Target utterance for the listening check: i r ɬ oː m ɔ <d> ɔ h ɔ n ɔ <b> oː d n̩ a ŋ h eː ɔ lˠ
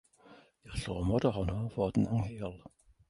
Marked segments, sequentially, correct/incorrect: correct, incorrect

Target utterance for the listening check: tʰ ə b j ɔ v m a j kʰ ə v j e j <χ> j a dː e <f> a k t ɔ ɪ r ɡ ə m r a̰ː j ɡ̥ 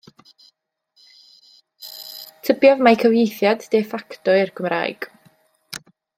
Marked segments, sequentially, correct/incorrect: incorrect, correct

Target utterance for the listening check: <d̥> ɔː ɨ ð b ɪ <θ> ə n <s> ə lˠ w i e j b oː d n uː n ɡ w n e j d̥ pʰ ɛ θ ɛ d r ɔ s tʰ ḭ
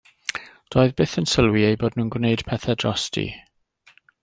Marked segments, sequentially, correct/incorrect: correct, correct, correct

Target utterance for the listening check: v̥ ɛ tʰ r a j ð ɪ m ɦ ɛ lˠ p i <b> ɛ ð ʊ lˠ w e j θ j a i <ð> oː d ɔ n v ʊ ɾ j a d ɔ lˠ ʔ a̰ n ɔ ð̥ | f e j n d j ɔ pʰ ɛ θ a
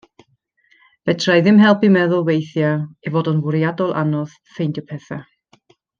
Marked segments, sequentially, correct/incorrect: incorrect, incorrect

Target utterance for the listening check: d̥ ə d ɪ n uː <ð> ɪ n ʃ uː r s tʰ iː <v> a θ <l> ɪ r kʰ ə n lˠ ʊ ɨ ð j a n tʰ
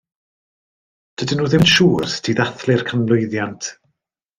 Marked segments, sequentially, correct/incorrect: correct, incorrect, correct

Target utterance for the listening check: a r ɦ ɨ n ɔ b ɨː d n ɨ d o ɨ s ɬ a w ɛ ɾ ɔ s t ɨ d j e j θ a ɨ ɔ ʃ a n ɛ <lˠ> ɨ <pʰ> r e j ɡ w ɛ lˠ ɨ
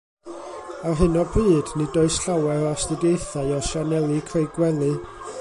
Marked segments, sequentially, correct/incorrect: correct, incorrect

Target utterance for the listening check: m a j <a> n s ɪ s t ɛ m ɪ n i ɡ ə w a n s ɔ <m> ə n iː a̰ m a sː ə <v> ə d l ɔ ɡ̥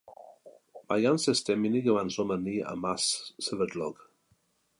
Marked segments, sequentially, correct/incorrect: correct, correct, correct

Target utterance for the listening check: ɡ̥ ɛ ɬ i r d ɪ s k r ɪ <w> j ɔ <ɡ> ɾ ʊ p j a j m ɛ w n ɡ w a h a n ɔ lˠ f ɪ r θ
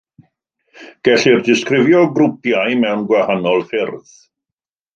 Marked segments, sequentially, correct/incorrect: incorrect, correct

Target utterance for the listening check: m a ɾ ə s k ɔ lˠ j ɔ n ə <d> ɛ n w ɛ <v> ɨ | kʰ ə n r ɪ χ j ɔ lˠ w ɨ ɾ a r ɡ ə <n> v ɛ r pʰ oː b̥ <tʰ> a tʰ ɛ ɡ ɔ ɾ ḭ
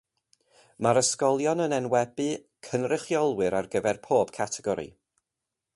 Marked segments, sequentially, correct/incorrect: incorrect, incorrect, incorrect, incorrect

